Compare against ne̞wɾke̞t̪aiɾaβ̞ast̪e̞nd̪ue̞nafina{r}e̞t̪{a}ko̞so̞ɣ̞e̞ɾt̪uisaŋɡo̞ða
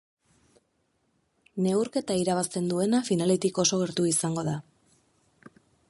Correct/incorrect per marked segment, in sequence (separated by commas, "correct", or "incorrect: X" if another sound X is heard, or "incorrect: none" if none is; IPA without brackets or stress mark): incorrect: l, incorrect: i